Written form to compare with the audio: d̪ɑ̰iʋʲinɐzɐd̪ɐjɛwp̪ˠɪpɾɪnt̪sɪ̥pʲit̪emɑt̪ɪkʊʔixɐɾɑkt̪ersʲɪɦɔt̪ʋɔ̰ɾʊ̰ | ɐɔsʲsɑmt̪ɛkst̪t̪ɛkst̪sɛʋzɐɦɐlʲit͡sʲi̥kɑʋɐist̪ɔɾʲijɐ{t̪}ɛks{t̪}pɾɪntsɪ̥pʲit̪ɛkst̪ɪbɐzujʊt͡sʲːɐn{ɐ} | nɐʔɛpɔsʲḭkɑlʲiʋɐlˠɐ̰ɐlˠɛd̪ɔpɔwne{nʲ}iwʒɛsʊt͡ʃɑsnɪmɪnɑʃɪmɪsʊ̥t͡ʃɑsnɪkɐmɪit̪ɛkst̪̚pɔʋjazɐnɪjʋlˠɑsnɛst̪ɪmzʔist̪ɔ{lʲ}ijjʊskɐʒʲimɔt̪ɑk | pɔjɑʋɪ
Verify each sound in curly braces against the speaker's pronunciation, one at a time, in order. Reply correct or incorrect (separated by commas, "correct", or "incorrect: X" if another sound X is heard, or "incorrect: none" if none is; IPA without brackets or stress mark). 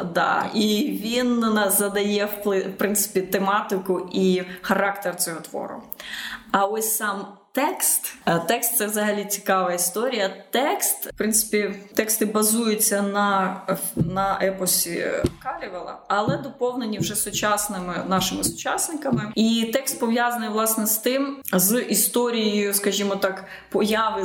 correct, correct, correct, correct, incorrect: ɾʲ